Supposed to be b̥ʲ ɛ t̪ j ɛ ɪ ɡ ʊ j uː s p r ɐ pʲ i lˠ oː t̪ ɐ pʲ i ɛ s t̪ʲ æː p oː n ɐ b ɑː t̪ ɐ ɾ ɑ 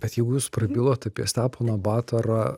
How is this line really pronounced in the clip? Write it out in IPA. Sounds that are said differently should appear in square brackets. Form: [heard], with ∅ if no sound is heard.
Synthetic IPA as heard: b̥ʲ ɛ t̪ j ɛ ɪ ɡ ʊ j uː s p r ɐ [bʲ] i lˠ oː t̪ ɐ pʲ i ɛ s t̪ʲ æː p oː n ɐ b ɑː t̪ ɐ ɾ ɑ